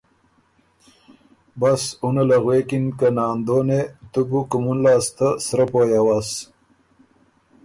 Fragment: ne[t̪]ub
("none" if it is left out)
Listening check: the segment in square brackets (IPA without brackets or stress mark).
t̪